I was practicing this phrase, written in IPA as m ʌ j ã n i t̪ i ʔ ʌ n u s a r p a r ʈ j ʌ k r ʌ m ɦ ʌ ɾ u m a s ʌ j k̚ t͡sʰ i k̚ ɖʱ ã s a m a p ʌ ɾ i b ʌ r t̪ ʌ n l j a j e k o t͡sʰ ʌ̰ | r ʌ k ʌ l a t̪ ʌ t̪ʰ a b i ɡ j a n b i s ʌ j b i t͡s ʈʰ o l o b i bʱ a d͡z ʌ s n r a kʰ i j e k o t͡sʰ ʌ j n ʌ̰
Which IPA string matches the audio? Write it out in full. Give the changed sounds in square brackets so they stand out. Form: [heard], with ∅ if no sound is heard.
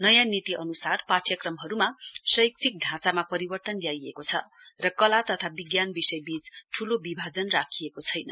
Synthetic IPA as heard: [n] ʌ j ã n i t̪ i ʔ ʌ n u s a r p a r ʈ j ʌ k r ʌ m ɦ ʌ ɾ u m a s ʌ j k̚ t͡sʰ i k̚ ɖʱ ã [t͡s] a m a p ʌ ɾ i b ʌ r t̪ ʌ n l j a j e k o t͡sʰ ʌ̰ | r ʌ k ʌ l a t̪ ʌ t̪ʰ a b i ɡ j a n b i s ʌ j b i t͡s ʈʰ [u] l o b i bʱ a d͡z ʌ [∅] n r a kʰ i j e k o t͡sʰ ʌ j n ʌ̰